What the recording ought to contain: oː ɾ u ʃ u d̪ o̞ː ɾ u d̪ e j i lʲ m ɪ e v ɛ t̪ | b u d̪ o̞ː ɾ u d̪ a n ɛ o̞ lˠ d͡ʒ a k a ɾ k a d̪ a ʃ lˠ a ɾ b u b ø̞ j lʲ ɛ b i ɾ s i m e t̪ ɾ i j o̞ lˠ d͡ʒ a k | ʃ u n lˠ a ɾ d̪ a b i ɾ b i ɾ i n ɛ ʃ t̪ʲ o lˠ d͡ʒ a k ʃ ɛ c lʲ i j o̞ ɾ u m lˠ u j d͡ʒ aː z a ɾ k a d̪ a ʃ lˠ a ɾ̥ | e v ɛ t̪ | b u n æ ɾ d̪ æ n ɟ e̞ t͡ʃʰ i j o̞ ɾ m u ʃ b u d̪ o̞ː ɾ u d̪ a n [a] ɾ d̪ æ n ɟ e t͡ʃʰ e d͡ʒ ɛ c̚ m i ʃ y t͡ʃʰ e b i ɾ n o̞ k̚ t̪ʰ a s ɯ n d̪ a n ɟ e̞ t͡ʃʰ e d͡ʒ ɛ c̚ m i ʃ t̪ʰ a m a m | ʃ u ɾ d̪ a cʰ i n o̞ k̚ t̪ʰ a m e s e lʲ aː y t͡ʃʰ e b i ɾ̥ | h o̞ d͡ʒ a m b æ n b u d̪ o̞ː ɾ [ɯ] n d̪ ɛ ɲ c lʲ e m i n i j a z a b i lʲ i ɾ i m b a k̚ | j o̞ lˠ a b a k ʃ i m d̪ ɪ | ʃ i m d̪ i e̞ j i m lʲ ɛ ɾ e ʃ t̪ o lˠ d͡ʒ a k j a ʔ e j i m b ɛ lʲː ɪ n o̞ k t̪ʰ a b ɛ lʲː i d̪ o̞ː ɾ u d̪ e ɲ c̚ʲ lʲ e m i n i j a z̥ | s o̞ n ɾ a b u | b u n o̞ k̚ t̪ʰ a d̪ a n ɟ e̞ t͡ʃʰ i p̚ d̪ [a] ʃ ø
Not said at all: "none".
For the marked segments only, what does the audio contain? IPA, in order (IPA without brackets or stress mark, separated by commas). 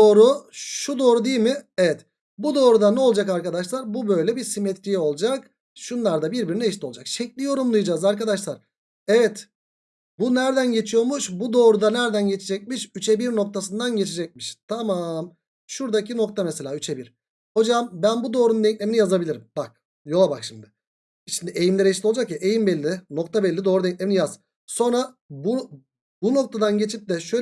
æ, u, ɛ